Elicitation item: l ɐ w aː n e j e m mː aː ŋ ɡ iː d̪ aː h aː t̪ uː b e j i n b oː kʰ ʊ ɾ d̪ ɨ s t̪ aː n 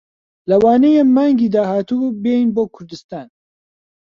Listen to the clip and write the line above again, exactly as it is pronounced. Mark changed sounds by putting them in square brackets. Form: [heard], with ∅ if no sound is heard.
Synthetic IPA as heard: l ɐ w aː n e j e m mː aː ŋ ɡ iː d̪ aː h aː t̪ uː b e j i n b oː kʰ ʊ ɾ d̪ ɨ s t̪ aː n